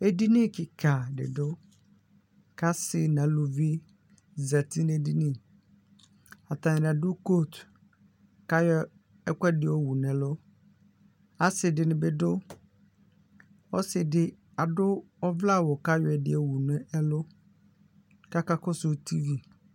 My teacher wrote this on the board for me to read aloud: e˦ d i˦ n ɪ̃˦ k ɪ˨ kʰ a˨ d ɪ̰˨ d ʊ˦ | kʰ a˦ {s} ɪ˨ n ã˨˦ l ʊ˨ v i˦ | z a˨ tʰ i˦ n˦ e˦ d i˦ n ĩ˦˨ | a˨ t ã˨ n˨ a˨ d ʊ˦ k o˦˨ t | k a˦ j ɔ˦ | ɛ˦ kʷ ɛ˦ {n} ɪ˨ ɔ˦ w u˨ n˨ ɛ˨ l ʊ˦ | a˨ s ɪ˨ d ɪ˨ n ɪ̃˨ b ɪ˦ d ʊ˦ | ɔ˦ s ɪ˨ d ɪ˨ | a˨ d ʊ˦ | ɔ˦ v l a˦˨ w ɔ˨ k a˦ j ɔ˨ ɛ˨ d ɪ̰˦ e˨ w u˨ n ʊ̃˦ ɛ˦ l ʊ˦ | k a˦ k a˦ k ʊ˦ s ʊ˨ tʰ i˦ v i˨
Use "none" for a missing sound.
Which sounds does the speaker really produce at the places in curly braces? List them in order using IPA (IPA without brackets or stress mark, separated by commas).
s, d